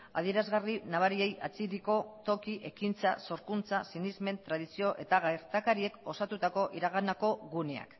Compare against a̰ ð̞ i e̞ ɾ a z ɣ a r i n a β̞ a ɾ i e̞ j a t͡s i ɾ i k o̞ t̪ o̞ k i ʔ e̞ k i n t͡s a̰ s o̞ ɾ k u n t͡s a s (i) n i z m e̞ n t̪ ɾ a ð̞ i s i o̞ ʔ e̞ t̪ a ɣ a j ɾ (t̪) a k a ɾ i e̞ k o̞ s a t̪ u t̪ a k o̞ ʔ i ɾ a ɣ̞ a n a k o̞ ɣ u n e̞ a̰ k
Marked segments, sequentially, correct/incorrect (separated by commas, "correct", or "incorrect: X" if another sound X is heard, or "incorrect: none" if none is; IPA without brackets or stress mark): correct, correct